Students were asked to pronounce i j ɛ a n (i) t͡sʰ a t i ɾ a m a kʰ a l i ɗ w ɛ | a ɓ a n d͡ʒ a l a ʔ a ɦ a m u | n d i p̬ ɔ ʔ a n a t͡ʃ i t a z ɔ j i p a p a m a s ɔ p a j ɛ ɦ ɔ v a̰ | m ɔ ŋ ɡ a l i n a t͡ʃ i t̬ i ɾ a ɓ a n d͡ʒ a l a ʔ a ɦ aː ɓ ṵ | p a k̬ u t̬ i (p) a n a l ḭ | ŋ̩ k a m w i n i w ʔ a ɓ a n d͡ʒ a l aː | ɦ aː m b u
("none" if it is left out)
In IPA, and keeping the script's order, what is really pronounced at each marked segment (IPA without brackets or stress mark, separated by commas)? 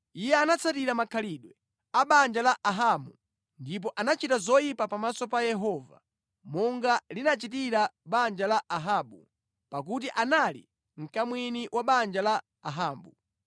a, ʔ